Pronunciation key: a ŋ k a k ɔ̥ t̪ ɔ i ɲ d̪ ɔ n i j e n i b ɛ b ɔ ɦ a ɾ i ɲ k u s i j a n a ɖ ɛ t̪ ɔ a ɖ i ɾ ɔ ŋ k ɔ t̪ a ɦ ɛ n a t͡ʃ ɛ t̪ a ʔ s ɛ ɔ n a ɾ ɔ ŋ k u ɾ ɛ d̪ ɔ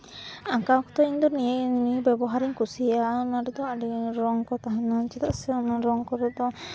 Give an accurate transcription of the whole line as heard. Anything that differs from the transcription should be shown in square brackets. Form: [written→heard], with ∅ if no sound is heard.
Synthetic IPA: a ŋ k a k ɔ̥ t̪ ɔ i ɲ d̪ ɔ n i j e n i b ɛ b ɔ ɦ a ɾ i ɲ k u s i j a n a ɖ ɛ [t̪→d̪] ɔ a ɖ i ɾ ɔ ŋ k ɔ t̪ a ɦ [ɛ→a] n a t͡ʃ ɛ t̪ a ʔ s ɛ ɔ n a ɾ ɔ ŋ k [u→ɔ] ɾ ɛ d̪ ɔ